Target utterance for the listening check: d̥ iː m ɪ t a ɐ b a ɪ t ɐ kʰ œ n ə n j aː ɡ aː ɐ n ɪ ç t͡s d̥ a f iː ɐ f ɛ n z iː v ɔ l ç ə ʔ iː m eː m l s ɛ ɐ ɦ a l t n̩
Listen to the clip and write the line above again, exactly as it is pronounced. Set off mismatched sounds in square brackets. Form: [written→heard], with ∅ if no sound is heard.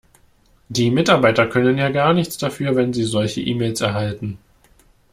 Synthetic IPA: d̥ iː m ɪ t a ɐ b a ɪ t ɐ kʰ œ n ə n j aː ɡ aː ɐ n ɪ ç t͡s d̥ a f [iː→yː] ɐ [f→v] ɛ n z iː [v→z] ɔ l ç ə ʔ iː m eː [m→∅] l s ɛ ɐ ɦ a l t n̩